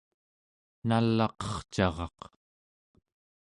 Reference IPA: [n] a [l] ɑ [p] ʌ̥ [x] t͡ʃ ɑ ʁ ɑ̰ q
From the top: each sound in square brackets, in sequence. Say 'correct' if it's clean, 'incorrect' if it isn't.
correct, incorrect, incorrect, incorrect

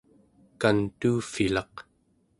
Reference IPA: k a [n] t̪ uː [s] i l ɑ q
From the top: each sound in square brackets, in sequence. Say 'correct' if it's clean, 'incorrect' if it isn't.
correct, incorrect

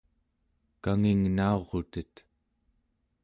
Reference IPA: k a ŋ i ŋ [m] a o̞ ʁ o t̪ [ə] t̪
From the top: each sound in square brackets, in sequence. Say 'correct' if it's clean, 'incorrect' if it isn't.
incorrect, correct

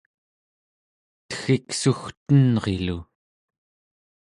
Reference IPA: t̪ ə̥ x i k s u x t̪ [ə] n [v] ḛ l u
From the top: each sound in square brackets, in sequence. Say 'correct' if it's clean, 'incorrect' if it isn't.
correct, incorrect

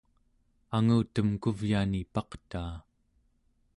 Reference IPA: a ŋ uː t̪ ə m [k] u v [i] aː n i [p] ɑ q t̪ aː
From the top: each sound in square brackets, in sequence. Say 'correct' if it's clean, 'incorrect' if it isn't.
correct, incorrect, correct

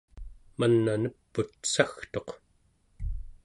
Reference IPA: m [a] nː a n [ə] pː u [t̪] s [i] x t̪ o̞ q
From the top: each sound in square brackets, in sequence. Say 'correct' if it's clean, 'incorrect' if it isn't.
correct, correct, correct, incorrect

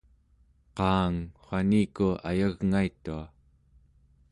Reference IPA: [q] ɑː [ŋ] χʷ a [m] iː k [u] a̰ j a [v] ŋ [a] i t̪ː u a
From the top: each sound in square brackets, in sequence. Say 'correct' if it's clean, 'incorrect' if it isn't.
correct, correct, incorrect, correct, incorrect, correct

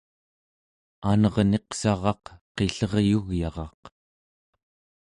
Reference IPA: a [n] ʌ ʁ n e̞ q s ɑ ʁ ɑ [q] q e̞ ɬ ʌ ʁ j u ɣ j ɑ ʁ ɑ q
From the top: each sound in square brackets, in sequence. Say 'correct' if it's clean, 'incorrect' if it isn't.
correct, correct

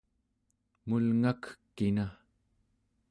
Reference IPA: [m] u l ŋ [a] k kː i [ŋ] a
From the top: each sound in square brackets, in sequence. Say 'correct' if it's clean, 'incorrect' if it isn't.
correct, correct, incorrect

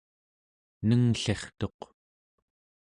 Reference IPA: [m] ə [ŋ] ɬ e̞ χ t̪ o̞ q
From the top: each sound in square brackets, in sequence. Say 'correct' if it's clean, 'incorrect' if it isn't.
incorrect, correct

